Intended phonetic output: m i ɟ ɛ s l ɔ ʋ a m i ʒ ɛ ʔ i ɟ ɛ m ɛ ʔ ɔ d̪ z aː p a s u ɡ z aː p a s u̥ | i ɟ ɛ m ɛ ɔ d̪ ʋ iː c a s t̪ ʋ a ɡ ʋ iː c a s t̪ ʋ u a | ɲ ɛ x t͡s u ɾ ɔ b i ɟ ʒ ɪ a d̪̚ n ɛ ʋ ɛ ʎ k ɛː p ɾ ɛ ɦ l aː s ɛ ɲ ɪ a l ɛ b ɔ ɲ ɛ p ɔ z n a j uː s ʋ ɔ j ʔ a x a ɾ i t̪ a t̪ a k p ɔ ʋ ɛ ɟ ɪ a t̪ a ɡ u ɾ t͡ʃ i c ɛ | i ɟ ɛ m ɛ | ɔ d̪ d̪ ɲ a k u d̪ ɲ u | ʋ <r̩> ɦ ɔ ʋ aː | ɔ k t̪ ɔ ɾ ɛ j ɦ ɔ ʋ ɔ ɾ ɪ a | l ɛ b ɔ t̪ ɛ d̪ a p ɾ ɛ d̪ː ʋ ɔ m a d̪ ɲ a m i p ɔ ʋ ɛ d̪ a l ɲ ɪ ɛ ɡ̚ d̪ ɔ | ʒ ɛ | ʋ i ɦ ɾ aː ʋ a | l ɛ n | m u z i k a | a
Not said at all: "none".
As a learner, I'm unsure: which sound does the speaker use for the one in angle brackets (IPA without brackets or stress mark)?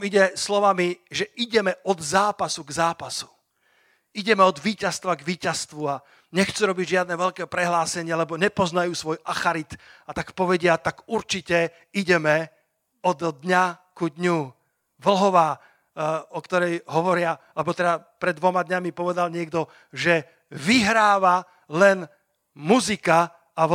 l̩